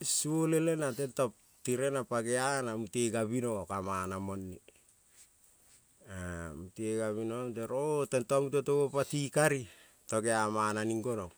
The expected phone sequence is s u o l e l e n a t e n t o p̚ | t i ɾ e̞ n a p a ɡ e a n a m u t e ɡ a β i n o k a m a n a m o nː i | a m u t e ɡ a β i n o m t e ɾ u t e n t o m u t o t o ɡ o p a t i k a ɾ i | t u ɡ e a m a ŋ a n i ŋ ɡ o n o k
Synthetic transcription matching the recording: s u o l e l e n a t e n t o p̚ | t i ɾ e̞ n a p a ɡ e a n a m u t e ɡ a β i n o k a m a n a m o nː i | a m u t e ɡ a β i n o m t e ɾ o t e n t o m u t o t o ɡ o p a t i k a ɾ i | t o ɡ e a m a n a n i ŋ ɡ o n o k

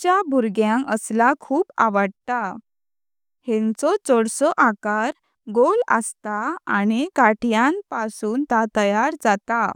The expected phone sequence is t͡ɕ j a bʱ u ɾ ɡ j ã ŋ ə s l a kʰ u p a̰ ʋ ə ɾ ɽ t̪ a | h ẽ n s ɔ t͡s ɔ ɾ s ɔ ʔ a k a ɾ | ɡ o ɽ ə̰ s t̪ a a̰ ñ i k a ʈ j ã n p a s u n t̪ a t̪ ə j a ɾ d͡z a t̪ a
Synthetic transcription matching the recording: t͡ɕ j a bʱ u ɾ ɡ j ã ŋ ə s l a kʰ uː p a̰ ʋ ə ɽ t̪ a | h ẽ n t͡s ɔ t͡s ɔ ɽ s ɔ ʔ a k a ɾ | ɡ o l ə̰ s t̪ a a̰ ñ i k a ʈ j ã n p a s uː n t̪ a t̪ ə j a ɾ d͡z a t̪ a

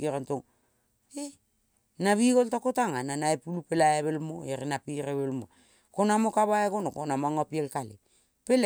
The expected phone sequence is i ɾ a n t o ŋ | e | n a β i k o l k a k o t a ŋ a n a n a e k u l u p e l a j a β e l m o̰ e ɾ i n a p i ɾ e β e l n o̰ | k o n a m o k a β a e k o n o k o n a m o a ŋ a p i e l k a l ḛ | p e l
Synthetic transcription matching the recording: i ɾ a n t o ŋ | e | n a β i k o l t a k o t a ŋ a n a n a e p u l u p e l a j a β e l m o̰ e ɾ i n a p i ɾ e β e l m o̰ | k o n a m o k a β a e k o n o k o n a m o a ŋ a p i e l k a l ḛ | p e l

